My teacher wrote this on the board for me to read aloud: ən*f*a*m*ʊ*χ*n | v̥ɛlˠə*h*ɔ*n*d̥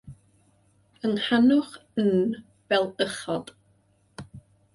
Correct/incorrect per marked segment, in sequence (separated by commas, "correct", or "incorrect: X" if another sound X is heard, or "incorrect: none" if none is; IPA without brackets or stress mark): incorrect: h, incorrect: n, correct, incorrect: χ, incorrect: none